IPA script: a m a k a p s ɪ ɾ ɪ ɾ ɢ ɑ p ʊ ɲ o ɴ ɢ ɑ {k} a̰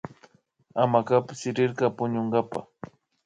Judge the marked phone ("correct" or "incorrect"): incorrect